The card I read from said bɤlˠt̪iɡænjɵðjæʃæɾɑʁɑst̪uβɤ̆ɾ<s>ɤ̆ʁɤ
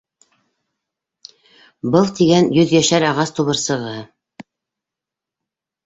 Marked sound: correct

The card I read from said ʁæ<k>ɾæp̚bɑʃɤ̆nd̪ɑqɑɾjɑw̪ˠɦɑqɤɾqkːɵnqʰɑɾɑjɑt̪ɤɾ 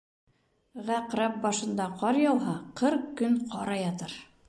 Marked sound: incorrect: q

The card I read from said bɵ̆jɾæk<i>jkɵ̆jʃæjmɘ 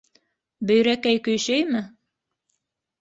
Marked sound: incorrect: æ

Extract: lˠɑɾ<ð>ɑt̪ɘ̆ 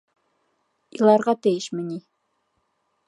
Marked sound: incorrect: ʁ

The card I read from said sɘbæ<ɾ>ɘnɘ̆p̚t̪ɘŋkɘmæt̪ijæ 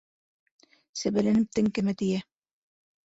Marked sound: incorrect: l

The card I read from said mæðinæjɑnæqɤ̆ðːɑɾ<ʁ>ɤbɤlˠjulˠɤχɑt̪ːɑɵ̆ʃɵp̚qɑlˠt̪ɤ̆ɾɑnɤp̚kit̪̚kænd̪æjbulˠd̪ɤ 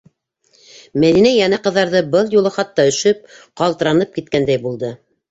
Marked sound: incorrect: ð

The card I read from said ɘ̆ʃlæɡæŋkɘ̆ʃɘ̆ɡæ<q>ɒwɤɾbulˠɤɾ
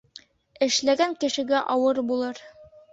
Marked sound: incorrect: ʔ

